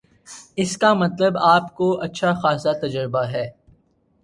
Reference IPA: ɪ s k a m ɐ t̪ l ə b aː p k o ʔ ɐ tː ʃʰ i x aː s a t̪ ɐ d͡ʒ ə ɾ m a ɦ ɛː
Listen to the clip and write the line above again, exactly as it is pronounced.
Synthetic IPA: ɪ s k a m ɐ t̪ l ə b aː p k o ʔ ɐ tː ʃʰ a x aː s a t̪ ɐ d͡ʒ ə ɾ b a ɦ ɛː